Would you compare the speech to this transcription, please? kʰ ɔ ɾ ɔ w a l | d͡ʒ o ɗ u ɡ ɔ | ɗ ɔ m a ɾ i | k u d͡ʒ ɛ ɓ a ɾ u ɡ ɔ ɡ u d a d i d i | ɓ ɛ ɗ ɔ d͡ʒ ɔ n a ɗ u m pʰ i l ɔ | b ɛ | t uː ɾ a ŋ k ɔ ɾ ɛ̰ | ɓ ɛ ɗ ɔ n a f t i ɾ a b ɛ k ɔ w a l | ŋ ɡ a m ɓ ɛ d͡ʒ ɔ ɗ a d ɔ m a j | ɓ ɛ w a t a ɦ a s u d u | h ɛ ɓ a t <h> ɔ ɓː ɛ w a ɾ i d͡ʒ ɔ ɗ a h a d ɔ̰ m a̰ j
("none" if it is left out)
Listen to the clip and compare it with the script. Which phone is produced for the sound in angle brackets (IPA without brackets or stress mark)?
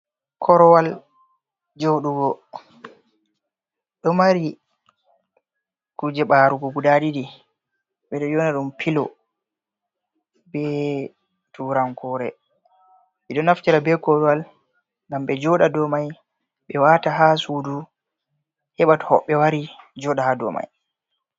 h